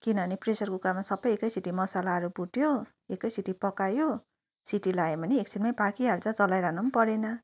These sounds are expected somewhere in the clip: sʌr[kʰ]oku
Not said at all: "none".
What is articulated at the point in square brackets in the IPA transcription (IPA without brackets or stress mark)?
k